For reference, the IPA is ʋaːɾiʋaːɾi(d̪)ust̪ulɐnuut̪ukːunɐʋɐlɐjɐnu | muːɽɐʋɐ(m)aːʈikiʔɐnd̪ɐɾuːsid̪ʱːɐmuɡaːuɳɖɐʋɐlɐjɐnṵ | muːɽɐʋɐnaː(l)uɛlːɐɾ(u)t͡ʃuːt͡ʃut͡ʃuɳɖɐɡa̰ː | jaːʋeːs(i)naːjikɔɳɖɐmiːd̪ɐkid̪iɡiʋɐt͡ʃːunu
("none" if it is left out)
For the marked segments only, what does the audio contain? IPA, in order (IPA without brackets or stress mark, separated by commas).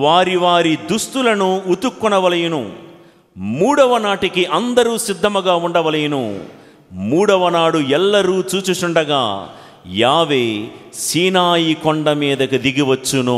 d̪, n, ɽ, uː, iː